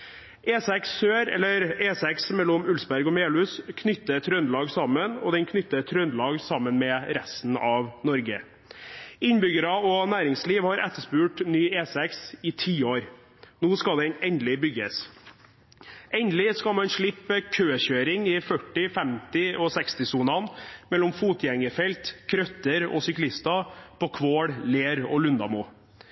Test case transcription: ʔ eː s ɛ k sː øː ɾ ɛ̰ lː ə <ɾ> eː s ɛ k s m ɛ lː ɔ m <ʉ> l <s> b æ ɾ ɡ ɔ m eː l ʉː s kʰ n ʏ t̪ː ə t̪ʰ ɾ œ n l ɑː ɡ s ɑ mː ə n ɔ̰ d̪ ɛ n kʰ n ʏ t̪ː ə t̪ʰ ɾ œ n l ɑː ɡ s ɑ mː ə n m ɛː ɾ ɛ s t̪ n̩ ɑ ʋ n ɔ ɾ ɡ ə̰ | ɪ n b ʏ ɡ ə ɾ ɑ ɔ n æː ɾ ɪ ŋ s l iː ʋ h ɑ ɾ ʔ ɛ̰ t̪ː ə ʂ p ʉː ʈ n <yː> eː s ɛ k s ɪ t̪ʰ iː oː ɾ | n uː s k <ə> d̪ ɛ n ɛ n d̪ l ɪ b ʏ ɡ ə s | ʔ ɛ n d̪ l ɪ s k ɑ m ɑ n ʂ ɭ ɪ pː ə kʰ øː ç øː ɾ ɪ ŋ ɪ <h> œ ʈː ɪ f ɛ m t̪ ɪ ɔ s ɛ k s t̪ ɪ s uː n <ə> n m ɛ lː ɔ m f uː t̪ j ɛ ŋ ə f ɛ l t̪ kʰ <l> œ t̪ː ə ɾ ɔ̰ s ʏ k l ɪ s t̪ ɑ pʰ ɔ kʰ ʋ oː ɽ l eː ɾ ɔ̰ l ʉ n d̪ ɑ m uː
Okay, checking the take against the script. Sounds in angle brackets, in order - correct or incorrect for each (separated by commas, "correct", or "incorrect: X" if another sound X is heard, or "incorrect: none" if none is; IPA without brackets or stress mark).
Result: correct, correct, correct, correct, incorrect: ɑ, incorrect: f, incorrect: ɑ, incorrect: ɾ